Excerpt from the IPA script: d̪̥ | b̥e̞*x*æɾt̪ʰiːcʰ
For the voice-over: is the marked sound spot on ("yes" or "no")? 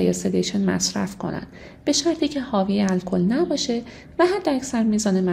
no